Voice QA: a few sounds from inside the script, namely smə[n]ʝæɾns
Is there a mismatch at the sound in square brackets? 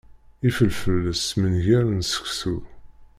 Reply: no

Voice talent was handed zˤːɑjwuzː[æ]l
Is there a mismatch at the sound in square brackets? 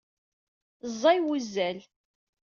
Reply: no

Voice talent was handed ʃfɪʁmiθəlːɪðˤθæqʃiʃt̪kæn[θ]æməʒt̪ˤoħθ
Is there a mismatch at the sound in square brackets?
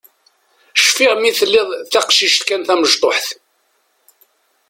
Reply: no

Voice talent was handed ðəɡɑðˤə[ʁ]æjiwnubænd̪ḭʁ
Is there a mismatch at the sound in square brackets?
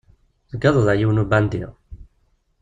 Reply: yes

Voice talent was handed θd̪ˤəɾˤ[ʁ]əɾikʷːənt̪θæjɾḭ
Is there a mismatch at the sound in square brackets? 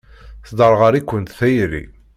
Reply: no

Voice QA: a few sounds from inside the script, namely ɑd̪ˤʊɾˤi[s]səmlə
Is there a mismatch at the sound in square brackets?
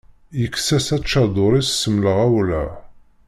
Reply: no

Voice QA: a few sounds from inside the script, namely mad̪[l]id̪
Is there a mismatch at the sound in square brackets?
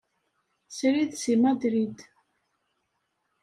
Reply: yes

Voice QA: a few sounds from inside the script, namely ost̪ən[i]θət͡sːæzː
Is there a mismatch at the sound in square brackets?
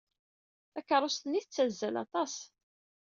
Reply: no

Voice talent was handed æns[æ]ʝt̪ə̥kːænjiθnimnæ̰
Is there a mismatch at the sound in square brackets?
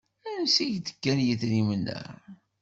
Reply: yes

